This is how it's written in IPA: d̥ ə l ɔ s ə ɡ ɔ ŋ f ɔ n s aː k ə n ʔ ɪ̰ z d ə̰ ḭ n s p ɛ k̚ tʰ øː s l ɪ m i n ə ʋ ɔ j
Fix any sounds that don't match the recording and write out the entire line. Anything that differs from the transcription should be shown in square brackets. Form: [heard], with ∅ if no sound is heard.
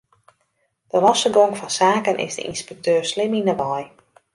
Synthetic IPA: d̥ ə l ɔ s ə ɡ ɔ ŋ f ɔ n s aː k ə n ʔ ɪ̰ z d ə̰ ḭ n s p ɛ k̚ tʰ øː s l ɪ m i n ə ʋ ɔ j